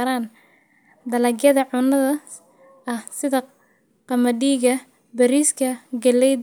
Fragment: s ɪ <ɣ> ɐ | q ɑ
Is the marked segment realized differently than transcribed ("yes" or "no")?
yes